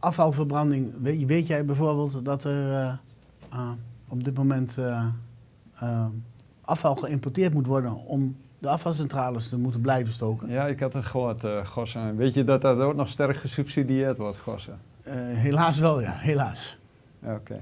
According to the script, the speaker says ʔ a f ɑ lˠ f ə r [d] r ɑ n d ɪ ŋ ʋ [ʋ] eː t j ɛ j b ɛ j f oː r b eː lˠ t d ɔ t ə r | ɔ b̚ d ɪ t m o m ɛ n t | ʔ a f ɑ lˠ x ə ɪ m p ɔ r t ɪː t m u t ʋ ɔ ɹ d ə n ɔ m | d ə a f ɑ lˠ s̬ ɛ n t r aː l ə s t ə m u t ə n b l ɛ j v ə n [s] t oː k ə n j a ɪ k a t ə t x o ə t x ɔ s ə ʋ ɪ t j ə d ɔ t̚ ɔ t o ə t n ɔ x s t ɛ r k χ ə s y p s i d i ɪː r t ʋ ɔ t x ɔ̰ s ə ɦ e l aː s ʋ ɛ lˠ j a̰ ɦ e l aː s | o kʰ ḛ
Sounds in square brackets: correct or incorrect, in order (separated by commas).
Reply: incorrect, correct, correct